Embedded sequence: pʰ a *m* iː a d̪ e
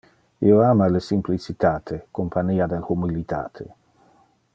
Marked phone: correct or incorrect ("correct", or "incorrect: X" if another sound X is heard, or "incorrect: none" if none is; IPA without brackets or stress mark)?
incorrect: n